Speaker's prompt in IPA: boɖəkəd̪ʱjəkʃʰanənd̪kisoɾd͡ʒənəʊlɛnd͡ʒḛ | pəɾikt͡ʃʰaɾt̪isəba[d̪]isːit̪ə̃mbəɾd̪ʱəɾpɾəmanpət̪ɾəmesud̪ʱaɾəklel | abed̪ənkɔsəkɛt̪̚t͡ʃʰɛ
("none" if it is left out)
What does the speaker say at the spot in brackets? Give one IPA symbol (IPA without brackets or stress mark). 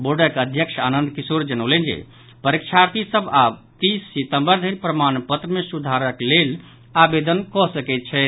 t̪